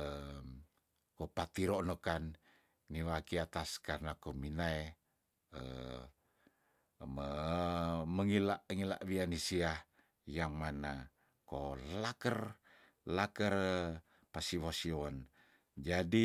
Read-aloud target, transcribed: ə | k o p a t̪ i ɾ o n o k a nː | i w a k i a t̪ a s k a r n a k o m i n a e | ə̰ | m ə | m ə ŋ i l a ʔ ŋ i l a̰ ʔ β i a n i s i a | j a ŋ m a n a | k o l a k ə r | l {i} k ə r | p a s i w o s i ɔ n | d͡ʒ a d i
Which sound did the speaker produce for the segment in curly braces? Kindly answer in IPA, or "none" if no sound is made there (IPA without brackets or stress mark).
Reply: a